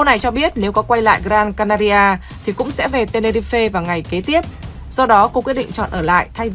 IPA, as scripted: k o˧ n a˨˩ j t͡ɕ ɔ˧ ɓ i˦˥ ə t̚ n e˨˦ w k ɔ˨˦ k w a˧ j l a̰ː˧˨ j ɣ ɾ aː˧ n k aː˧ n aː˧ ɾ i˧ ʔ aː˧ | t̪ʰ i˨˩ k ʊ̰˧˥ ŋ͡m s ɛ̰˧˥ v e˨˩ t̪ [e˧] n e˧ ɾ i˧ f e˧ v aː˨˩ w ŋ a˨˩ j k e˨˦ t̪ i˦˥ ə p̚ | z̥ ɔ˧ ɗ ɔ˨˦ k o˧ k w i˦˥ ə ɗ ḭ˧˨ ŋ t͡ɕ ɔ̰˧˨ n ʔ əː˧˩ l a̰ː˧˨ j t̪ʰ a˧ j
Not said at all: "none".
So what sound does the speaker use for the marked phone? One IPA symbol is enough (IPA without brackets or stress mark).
e˧